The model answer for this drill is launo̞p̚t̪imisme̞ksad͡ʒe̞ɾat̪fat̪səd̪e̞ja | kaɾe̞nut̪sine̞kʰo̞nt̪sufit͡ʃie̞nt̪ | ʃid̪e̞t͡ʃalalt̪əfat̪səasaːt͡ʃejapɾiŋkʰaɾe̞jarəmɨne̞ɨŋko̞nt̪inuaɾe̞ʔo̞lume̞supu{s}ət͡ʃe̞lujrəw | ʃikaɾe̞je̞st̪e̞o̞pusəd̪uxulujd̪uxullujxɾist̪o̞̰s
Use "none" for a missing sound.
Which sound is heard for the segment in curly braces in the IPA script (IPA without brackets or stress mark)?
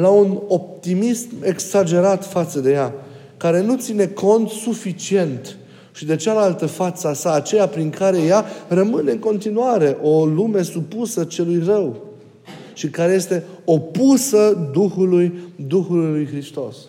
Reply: s